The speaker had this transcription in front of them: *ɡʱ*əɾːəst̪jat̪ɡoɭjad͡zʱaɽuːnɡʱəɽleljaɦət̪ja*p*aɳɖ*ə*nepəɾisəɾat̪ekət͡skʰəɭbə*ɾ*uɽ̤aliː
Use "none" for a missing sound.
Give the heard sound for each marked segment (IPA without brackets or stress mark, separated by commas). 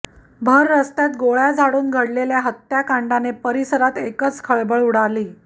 bʱ, k, a, ɭ